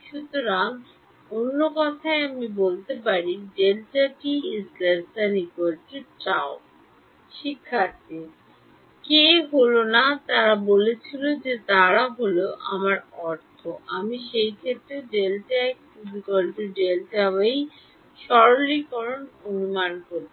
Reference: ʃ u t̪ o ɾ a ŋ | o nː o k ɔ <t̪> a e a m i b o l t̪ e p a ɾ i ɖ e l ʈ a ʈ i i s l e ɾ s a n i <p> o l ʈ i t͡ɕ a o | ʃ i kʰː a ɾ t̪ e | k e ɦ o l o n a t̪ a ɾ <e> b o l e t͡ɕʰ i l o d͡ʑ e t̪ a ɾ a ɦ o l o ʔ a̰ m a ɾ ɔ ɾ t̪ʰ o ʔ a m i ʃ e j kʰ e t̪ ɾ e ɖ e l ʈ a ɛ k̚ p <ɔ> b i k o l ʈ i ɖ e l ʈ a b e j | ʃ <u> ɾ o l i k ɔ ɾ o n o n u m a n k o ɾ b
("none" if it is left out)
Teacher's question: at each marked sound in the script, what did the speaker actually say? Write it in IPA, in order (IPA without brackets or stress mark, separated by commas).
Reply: t̪ʰ, k, a, u, ɔ